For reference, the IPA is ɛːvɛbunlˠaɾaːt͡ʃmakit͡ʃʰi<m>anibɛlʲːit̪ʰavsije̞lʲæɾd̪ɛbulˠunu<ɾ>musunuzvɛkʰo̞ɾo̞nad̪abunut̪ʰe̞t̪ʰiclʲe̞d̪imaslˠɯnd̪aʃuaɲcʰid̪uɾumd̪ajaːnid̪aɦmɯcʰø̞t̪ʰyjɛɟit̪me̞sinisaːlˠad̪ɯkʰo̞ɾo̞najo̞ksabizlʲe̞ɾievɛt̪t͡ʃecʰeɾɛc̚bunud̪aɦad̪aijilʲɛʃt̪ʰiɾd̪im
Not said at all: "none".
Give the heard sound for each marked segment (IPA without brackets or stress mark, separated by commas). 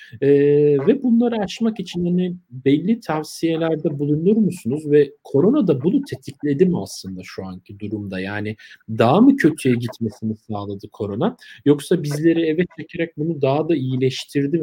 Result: n, ɾ